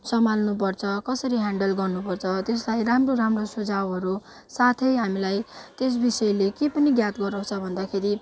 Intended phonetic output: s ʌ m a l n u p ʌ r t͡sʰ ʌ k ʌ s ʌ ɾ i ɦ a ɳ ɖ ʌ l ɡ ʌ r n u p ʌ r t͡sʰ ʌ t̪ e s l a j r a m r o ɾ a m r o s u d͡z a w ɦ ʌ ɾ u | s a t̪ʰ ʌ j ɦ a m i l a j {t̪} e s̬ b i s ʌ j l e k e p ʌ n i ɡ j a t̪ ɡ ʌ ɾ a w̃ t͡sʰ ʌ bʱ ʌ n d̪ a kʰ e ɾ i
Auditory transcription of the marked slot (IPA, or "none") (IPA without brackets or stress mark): t̪